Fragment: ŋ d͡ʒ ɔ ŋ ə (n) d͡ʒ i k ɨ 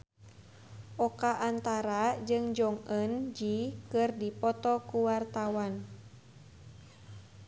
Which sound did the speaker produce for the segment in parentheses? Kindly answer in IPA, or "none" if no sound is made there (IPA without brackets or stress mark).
n